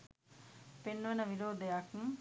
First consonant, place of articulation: labial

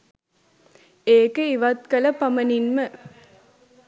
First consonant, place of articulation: velar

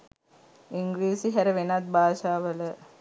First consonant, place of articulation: velar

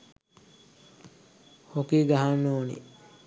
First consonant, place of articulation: glottal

